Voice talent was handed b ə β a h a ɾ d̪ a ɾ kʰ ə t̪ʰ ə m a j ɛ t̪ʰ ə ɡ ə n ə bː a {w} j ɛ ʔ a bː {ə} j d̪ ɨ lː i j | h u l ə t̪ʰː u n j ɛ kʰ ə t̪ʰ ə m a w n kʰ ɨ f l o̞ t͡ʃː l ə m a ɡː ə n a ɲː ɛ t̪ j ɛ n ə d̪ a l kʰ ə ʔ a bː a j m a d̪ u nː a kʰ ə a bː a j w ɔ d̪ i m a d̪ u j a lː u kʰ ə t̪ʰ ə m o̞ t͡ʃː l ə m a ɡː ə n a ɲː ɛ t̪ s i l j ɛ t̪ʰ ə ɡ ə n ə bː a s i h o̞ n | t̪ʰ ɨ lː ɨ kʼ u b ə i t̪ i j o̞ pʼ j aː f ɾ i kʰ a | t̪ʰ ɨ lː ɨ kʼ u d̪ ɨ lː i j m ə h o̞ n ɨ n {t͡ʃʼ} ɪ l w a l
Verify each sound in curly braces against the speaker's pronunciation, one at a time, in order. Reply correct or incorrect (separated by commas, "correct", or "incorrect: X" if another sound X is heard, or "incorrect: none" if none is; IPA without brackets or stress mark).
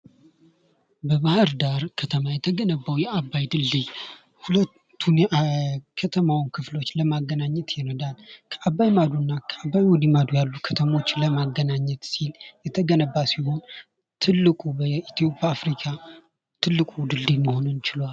correct, incorrect: a, incorrect: t͡ʃ